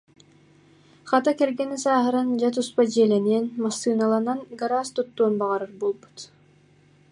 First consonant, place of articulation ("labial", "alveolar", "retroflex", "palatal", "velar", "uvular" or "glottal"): uvular